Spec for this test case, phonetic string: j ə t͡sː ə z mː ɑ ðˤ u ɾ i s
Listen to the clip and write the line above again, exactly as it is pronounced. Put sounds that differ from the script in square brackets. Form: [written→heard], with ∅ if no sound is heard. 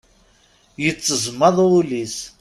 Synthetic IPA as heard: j ə t͡sː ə z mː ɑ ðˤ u [ɾ→l] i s